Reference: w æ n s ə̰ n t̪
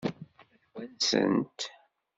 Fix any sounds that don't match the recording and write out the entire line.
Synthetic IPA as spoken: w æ n s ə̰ n t̪